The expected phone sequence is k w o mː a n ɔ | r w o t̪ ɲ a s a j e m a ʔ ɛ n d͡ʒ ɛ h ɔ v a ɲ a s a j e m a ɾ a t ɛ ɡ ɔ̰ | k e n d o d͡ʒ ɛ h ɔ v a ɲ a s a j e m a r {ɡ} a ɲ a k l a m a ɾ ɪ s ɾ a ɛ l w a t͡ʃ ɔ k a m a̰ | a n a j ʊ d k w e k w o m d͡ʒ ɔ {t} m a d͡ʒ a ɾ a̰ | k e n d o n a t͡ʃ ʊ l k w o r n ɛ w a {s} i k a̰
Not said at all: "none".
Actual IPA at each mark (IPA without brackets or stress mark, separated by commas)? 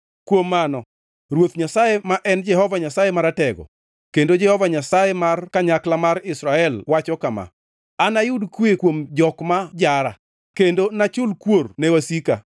k, k, s